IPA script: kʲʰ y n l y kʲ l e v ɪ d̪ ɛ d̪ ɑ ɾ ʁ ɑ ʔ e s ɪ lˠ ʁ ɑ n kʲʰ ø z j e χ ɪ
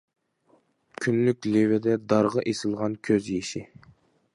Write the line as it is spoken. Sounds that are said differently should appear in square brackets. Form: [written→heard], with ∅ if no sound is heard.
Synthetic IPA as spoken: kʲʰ y n l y kʲ l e v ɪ d̪ ɛ d̪ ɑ ɾ ʁ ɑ ʔ e s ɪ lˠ ʁ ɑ n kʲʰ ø z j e [χ→ʃ] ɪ